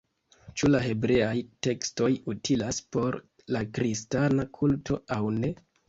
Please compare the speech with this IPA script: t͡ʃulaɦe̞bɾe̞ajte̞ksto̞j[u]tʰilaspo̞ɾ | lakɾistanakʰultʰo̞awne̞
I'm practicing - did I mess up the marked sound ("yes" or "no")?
no